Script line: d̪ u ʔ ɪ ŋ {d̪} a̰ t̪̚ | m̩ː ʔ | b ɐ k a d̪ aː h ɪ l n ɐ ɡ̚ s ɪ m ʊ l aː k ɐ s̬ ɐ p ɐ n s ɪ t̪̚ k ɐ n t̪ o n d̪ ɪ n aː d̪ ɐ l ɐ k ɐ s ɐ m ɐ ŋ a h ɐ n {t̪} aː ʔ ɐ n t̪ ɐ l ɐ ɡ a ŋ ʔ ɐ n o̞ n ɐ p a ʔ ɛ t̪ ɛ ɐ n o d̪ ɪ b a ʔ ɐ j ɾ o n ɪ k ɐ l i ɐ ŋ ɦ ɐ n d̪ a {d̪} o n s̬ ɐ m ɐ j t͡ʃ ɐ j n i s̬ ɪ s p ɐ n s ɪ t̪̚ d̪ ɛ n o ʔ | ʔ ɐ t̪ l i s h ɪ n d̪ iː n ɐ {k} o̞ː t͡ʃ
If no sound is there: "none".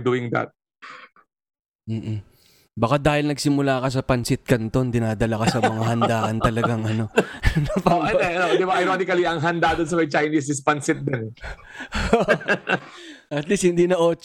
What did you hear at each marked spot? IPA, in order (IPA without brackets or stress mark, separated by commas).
d̪, d̪, d̪, ʔ